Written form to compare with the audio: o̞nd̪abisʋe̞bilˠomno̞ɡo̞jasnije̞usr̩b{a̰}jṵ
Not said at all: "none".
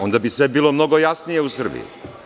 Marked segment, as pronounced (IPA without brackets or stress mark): ḭ